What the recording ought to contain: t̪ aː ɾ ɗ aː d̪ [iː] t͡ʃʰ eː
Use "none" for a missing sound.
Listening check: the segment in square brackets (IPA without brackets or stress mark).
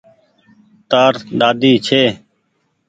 iː